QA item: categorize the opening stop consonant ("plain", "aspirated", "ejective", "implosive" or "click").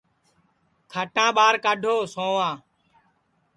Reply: aspirated